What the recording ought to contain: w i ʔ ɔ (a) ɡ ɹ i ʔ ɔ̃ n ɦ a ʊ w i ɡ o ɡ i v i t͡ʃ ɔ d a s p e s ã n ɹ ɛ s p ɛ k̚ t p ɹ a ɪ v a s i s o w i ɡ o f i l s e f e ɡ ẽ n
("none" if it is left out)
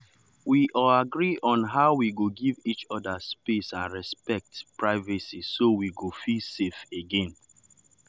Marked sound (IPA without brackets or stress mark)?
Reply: a